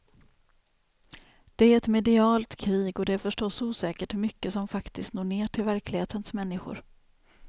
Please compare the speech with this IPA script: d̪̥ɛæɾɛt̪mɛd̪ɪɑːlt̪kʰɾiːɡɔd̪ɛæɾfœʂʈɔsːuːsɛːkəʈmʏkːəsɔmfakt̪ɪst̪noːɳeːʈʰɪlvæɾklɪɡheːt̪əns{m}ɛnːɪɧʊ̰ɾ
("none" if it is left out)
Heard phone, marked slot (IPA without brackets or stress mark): m